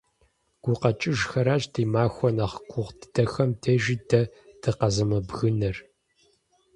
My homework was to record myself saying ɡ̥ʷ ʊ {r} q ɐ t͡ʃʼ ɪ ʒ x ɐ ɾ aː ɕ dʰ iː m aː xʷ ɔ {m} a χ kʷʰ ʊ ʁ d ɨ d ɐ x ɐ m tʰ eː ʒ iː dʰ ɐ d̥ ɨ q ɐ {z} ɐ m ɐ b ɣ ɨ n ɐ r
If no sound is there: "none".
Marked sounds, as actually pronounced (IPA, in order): none, n, z

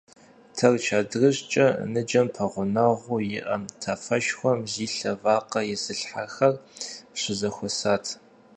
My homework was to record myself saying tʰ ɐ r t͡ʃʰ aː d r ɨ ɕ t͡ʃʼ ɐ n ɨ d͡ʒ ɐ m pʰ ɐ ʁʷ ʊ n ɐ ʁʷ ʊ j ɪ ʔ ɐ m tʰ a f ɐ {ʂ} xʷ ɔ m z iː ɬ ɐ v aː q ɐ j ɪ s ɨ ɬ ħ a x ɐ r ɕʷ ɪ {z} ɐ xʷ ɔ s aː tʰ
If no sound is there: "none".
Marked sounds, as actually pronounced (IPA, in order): ʃ, z

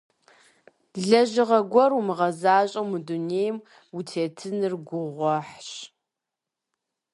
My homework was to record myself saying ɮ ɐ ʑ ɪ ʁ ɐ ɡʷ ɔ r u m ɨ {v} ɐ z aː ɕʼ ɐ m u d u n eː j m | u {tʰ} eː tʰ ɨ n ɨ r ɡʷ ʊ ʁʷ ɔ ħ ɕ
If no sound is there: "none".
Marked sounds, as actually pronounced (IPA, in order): ʁ, tʰ

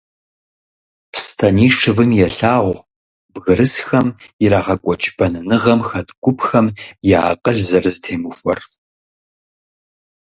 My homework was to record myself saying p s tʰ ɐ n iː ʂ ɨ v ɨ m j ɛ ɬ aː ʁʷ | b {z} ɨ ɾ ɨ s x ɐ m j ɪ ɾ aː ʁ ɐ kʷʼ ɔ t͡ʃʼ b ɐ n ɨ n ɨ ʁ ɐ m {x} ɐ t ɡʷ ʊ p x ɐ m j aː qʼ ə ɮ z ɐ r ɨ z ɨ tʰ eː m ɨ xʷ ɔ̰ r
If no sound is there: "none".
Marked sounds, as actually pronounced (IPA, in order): ɣ, x

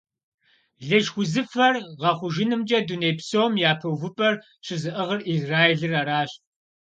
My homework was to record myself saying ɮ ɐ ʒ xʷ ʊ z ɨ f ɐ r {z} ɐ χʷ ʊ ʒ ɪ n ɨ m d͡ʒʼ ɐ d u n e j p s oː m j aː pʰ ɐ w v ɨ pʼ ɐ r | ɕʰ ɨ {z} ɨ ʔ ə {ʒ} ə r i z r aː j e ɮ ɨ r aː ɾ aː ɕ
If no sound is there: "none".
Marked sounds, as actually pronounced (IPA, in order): ʁ, z, ʁ

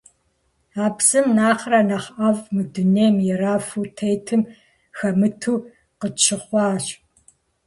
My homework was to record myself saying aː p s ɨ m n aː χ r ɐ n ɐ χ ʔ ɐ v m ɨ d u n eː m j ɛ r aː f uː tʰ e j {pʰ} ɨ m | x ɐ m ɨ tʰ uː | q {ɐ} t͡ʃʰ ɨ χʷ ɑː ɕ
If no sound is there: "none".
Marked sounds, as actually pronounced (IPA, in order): tʰ, ə

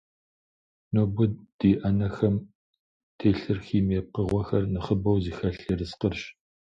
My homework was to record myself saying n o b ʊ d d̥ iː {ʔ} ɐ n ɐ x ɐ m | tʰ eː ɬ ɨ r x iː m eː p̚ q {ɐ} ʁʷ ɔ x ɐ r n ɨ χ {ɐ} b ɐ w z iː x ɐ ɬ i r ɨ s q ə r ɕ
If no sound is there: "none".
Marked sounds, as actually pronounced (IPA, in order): ʔ, ə, ə

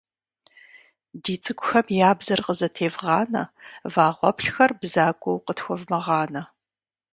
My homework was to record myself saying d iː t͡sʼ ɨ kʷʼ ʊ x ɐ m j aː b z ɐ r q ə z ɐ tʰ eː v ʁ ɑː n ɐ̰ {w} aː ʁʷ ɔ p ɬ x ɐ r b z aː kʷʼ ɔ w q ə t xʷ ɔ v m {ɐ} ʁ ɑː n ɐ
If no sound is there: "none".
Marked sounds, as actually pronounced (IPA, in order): v, ɐ

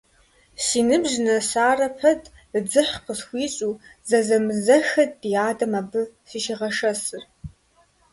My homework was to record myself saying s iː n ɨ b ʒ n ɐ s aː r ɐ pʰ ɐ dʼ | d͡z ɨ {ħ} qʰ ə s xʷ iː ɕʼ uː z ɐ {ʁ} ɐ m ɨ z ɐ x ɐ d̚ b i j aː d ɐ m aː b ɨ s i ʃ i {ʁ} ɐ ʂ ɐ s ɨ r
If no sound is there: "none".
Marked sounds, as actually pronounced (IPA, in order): ħ, z, ʁ

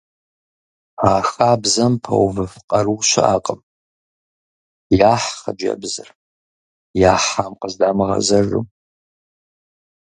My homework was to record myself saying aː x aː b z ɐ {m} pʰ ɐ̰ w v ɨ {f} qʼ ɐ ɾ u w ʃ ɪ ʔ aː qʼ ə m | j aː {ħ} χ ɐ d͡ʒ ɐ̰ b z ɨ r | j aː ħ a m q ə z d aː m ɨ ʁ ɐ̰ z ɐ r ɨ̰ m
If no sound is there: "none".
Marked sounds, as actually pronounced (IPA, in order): m, f, ħ

